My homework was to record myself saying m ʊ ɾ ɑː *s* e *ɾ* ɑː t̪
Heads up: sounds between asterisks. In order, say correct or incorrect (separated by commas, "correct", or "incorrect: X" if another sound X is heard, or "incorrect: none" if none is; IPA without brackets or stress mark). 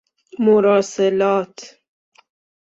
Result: correct, incorrect: l